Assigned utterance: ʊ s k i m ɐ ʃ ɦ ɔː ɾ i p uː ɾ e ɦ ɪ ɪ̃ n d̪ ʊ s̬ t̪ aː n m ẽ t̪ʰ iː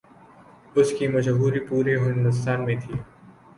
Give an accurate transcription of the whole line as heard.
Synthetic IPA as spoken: ʊ s k i m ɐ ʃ ɦ uː ɾ i p uː ɾ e ɦ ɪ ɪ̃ n d̪ ʊ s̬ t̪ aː n m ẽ t̪ʰ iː